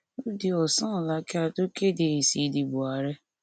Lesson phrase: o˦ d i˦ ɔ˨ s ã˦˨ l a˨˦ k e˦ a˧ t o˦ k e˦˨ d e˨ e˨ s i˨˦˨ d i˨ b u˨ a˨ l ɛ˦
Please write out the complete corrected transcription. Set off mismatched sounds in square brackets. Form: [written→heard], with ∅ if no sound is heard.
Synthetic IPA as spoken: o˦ d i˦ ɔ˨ s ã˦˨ l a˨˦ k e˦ a˧ t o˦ k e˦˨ d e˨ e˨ s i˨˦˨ d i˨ b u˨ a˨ [l→ɾ] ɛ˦